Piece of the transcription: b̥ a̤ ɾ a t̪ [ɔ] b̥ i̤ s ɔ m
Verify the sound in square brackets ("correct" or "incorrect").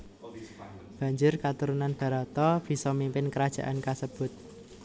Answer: correct